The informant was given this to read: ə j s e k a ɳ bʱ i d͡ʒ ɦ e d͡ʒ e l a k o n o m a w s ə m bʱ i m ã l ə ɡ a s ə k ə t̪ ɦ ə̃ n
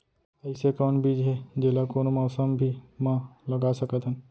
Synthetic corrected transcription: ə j s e k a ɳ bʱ i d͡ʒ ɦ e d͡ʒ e l a k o n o m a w s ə m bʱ i m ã l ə ɡ a s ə k ə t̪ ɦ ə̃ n